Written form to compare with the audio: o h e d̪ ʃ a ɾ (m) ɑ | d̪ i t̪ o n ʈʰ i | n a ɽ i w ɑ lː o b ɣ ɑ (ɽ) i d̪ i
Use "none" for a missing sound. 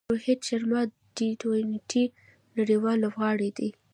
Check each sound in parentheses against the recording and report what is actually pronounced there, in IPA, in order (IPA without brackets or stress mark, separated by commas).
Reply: m, ɽ